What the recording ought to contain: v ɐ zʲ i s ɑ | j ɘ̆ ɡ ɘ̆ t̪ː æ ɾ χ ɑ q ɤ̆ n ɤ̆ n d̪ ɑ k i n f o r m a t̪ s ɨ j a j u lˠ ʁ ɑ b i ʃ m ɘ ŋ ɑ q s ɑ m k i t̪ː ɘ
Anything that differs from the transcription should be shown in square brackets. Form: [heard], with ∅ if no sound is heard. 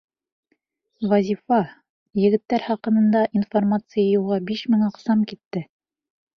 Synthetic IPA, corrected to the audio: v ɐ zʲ i [f] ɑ | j ɘ̆ ɡ ɘ̆ t̪ː æ ɾ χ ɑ q ɤ̆ n ɤ̆ n d̪ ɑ [ʔ] i n f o r m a t̪ s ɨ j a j u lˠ ʁ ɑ b i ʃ m ɘ ŋ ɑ q s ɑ m k i t̪ː ɘ